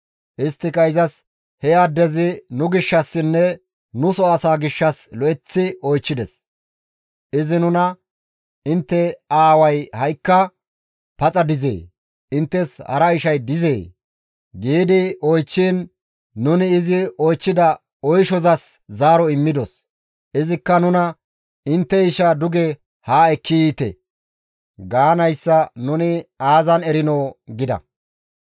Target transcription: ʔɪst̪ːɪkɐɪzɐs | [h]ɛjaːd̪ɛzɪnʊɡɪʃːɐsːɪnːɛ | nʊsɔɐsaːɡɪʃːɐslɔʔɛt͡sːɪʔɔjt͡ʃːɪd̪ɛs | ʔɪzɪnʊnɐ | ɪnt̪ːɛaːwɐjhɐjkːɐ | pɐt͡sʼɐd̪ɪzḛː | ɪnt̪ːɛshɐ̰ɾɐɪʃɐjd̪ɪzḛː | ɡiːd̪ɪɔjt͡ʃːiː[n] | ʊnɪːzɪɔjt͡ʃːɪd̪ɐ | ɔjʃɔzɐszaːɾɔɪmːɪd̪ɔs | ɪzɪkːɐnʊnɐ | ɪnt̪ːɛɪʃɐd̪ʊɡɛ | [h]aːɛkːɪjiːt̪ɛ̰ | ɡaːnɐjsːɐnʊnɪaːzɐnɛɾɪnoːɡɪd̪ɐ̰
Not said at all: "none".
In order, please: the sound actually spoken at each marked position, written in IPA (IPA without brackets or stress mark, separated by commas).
h, nː, h